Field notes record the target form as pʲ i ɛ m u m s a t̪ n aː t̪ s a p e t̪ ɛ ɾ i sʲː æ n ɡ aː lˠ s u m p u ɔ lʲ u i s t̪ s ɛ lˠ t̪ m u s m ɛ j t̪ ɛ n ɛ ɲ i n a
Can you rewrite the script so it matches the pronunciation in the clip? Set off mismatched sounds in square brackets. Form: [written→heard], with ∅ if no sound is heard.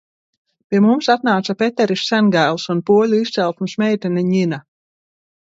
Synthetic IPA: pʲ i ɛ m u m s a t̪ n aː t̪ s a p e t̪ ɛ ɾ i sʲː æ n ɡ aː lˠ s u [m→n] p u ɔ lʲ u i s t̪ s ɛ lˠ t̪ m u s m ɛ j t̪ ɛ n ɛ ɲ i n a